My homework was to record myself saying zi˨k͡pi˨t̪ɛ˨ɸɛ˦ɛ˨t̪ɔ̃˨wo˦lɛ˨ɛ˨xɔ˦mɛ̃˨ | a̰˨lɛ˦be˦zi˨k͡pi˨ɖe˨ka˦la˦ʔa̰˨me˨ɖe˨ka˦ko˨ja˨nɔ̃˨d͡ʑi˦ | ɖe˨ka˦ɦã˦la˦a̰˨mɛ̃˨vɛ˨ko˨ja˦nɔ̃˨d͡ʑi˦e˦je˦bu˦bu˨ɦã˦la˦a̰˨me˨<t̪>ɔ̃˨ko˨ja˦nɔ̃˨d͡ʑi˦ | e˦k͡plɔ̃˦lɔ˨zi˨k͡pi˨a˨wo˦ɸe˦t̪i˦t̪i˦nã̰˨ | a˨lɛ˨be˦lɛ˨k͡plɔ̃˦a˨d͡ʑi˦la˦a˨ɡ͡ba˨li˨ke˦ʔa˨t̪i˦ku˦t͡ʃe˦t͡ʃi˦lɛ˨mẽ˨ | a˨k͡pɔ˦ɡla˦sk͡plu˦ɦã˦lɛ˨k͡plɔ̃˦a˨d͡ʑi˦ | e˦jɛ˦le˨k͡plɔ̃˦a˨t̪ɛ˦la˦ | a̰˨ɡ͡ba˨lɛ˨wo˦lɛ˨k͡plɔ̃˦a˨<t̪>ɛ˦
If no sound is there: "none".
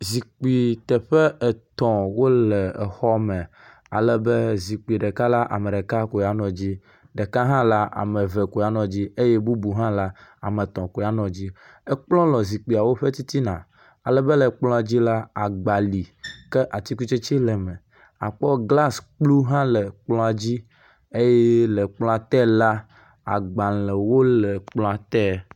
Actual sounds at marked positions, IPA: t̪, t̪

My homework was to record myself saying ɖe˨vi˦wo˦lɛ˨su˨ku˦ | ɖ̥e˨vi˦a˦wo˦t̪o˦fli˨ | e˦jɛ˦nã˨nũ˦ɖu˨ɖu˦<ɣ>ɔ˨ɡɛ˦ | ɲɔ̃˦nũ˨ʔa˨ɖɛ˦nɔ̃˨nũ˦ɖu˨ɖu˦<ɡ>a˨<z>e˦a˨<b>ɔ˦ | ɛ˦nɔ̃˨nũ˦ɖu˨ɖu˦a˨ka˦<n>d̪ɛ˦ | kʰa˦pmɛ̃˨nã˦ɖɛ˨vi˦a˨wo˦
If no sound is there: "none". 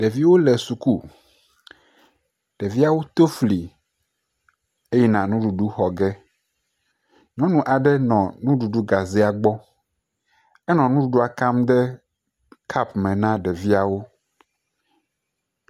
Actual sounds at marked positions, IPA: x, ɡ, z, ɡ͡b, m

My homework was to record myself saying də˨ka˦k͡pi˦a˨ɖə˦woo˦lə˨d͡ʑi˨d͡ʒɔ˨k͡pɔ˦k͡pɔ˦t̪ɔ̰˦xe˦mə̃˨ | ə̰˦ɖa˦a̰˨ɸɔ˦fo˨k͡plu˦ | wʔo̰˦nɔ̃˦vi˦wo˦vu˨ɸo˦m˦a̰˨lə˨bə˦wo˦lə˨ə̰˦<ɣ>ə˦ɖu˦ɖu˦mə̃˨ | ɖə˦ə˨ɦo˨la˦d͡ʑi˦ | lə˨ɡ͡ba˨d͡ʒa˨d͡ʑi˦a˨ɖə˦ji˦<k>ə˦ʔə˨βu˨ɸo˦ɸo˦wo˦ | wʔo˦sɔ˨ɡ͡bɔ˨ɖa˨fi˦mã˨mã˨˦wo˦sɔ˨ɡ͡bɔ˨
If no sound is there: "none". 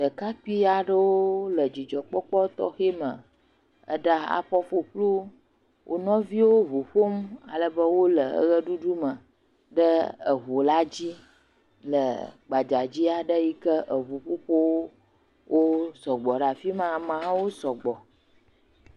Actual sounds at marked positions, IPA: ɣ, k

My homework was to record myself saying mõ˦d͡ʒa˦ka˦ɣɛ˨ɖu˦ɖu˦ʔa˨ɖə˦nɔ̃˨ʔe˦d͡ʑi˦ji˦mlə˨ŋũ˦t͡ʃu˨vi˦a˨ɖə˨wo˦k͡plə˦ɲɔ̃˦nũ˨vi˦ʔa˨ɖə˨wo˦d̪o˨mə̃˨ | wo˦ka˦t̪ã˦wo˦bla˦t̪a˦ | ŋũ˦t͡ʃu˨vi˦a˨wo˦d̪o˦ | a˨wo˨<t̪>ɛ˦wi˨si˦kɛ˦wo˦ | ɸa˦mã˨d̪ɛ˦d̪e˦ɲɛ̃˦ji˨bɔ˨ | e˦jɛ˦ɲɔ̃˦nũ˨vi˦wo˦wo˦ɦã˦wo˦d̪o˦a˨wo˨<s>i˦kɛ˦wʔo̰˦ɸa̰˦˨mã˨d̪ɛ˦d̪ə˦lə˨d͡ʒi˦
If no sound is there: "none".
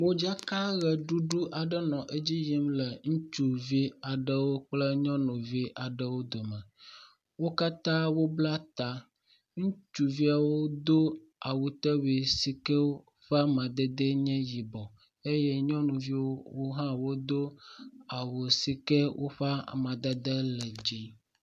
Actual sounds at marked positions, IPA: t̪, s

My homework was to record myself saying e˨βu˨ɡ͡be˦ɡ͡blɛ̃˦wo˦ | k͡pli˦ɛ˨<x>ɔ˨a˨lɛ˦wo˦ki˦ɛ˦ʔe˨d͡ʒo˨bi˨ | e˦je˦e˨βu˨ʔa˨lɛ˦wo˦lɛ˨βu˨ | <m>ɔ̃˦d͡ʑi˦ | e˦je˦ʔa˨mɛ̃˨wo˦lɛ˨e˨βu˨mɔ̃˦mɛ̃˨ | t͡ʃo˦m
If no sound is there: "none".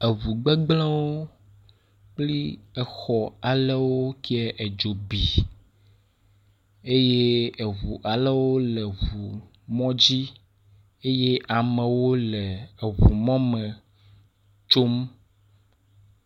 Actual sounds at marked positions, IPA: x, m

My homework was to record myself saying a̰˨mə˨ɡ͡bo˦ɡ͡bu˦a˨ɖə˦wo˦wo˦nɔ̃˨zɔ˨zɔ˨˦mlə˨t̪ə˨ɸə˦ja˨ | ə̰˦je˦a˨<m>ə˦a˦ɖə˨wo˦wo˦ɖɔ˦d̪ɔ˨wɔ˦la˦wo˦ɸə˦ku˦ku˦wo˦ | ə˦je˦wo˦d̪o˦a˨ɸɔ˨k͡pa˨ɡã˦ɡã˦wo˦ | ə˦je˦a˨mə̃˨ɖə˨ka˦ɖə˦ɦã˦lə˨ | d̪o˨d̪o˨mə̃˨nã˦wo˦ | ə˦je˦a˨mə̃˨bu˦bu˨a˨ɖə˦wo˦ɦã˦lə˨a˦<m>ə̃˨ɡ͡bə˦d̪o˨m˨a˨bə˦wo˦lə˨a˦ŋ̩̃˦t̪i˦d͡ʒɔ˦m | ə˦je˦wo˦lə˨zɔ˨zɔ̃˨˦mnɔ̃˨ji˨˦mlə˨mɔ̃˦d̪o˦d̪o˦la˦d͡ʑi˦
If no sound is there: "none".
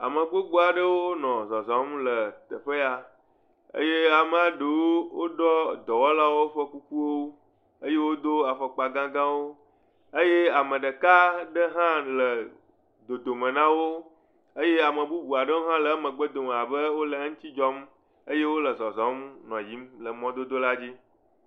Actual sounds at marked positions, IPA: m, m

